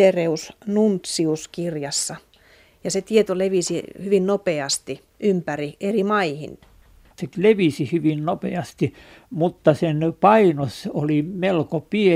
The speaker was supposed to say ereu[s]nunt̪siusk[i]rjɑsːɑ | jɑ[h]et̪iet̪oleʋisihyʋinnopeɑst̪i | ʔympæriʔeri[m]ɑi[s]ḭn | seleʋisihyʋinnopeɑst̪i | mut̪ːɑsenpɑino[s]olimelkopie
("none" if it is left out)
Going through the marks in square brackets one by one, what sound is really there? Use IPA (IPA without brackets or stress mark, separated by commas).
s, i, s, m, h, s